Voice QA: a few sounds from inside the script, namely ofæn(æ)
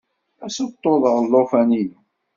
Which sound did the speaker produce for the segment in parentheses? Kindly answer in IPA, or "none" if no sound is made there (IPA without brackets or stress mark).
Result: i